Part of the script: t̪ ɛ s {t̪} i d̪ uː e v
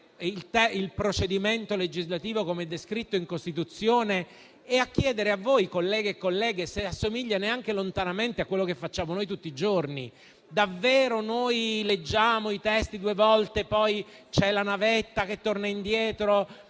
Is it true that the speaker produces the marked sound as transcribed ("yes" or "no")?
yes